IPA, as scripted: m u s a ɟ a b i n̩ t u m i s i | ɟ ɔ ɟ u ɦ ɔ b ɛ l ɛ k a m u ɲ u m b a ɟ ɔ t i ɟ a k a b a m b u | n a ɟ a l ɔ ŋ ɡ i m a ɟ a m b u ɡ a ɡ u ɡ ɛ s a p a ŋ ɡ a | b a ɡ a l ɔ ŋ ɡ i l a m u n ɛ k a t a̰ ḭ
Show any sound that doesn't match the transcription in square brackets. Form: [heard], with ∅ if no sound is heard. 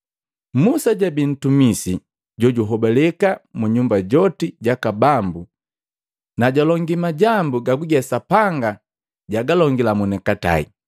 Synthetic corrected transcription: m u s a ɟ a b i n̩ t u m i s i | ɟ ɔ ɟ u ɦ ɔ b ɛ l ɛ k a m u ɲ u m b a ɟ ɔ t i ɟ a k a b a m b u | n a ɟ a l ɔ ŋ ɡ i m a ɟ a m b u ɡ a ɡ u ɡ ɛ s a p a ŋ ɡ a | [ɟ] a ɡ a l ɔ ŋ ɡ i l a m u n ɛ k a t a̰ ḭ